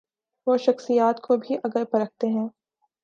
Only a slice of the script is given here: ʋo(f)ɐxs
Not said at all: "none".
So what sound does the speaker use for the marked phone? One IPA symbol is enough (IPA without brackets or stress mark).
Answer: ʃ